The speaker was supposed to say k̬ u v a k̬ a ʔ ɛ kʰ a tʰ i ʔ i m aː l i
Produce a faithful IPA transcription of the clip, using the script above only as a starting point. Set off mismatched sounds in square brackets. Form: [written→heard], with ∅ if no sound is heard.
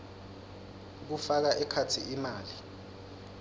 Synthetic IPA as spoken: k̬ u [v→f] a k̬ a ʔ ɛ kʰ a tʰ i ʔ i m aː l i